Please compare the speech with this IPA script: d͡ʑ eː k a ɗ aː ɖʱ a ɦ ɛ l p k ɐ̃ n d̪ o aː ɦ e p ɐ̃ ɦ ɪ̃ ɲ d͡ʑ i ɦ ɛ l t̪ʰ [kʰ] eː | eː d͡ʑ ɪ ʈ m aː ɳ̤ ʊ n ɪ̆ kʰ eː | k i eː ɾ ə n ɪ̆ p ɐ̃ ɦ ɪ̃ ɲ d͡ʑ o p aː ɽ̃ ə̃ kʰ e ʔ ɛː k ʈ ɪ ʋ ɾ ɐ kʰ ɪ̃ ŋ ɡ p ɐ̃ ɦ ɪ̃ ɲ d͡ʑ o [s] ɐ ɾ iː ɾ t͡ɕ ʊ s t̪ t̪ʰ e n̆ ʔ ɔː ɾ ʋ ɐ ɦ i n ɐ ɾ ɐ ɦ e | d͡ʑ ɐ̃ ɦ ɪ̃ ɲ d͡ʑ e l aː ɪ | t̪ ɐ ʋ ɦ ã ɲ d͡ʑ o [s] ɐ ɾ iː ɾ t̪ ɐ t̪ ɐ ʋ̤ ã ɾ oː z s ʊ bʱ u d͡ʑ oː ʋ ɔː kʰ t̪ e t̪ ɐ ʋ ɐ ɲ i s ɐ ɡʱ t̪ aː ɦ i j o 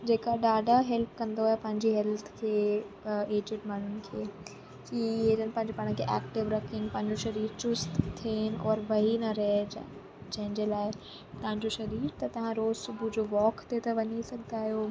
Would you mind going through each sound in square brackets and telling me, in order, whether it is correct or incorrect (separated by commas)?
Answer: correct, incorrect, incorrect